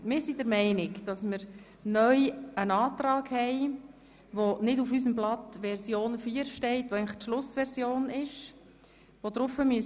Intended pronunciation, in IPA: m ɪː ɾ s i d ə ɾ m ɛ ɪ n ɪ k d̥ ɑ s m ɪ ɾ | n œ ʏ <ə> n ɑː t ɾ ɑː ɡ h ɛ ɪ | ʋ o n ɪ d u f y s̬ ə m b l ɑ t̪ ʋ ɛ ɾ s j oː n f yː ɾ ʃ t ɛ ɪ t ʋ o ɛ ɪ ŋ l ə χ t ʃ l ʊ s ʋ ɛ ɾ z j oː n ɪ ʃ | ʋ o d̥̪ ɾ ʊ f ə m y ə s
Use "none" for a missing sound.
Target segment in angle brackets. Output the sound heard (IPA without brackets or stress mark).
ə